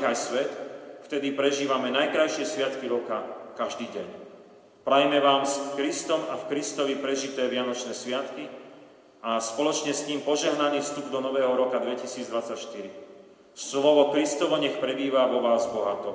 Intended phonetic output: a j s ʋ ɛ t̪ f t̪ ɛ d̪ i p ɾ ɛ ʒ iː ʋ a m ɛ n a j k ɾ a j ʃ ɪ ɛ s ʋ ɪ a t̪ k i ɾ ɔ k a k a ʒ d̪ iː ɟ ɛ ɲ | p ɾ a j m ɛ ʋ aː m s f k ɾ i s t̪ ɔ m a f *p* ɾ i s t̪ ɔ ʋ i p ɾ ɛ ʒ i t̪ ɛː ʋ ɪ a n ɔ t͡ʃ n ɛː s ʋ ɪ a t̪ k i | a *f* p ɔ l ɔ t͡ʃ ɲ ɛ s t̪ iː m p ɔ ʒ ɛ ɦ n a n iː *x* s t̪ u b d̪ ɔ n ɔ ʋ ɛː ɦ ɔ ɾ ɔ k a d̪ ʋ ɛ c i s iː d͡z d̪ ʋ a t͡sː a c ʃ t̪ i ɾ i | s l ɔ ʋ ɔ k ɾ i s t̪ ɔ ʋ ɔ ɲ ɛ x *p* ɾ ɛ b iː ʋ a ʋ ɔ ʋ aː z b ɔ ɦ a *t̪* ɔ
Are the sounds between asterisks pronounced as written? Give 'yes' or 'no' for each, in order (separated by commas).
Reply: no, no, no, yes, yes